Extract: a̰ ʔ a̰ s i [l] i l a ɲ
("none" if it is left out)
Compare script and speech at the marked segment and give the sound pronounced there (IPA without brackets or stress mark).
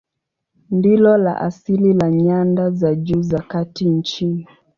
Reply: l